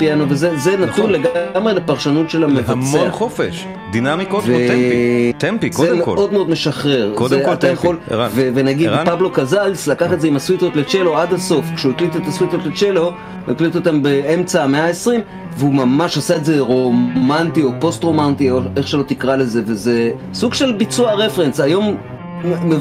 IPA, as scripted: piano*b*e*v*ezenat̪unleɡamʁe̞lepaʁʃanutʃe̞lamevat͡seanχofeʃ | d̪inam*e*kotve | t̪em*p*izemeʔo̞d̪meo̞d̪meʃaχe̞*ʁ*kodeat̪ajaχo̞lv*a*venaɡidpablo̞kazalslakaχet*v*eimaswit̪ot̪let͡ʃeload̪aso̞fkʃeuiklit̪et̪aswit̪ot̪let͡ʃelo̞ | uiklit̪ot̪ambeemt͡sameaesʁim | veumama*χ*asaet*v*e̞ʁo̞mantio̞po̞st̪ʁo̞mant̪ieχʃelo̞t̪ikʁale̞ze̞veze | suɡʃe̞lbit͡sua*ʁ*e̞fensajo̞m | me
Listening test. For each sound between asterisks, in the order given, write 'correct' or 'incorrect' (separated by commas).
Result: incorrect, incorrect, incorrect, correct, correct, incorrect, incorrect, incorrect, incorrect, correct